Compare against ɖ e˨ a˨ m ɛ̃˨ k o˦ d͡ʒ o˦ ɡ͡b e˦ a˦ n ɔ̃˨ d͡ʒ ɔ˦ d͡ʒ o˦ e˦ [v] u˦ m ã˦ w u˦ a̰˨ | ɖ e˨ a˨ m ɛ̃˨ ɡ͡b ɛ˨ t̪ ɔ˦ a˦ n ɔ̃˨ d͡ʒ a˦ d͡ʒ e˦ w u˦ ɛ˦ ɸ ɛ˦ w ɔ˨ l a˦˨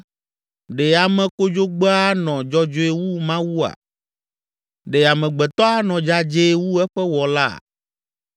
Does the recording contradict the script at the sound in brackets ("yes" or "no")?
yes